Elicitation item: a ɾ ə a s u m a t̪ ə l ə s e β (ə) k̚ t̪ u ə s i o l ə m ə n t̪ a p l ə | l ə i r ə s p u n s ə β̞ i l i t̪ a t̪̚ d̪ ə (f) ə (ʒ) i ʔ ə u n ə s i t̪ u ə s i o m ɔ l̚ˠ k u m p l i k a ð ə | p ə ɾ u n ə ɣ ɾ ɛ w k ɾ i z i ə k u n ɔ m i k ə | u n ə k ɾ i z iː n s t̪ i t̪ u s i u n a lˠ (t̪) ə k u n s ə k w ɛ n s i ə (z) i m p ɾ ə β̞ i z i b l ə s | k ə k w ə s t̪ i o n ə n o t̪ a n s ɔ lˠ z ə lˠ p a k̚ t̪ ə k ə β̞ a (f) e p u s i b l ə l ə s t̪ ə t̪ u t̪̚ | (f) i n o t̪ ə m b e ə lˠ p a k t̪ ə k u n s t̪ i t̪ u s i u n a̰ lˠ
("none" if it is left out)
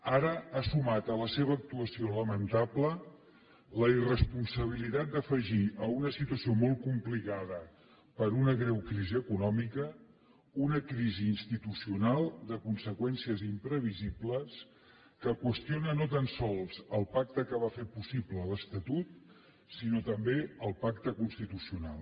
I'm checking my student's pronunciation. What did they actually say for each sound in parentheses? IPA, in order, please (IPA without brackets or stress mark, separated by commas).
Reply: əː, f, ʒ, d̪, z, f, s